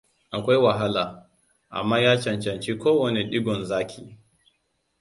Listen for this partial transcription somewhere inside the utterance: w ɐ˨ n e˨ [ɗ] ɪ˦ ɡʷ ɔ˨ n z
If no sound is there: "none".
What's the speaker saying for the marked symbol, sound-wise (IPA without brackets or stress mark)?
ɗ